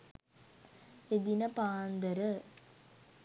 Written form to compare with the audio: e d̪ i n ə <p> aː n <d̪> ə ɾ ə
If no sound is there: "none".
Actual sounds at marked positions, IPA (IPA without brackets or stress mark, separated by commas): p, d̪